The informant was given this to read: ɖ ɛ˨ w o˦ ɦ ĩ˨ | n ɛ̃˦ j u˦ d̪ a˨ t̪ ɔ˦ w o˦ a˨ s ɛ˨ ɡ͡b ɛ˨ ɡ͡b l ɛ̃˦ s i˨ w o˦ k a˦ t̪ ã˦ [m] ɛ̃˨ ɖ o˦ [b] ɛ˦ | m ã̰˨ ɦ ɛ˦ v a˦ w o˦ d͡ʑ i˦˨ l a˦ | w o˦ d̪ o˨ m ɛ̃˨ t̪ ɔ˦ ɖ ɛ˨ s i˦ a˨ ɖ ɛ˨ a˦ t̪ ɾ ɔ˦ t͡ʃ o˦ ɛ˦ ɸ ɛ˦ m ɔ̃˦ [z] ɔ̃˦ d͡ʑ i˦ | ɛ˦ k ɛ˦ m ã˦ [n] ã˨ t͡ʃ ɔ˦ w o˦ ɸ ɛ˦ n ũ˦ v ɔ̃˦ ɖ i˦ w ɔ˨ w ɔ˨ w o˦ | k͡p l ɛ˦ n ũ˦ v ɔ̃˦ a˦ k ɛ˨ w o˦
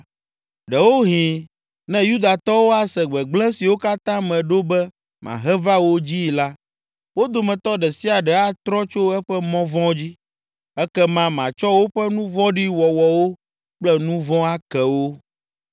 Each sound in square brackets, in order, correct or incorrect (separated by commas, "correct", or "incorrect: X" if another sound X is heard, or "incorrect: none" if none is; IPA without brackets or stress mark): correct, correct, incorrect: v, incorrect: m